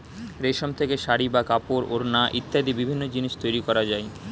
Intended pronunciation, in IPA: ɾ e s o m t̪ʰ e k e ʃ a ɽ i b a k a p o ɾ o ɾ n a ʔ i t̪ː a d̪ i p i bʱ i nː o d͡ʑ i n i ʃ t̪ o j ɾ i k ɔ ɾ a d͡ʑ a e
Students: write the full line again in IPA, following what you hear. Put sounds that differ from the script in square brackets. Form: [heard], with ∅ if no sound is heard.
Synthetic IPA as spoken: ɾ e [ʃ] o m t̪ʰ e k e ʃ a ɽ i b a k a p o ɾ o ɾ n a ʔ i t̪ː a d̪ i [b] i bʱ i nː o d͡ʑ i n i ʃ t̪ o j ɾ i k ɔ ɾ a d͡ʑ a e